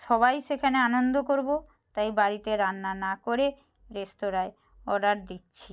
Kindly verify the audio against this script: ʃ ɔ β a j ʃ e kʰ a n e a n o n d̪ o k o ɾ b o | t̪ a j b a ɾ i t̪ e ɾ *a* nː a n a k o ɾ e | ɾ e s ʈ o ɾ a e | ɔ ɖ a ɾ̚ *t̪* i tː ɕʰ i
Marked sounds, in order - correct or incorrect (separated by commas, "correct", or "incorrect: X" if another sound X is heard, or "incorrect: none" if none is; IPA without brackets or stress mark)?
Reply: correct, incorrect: d̪